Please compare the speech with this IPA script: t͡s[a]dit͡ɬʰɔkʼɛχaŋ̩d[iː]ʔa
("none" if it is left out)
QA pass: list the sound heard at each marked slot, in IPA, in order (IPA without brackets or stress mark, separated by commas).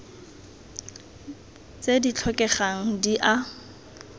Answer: e, i